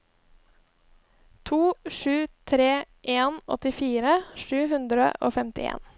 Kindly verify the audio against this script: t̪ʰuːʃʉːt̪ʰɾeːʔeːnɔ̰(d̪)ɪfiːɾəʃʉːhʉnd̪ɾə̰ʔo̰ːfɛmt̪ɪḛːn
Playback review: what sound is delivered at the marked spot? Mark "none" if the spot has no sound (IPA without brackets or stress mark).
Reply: t̪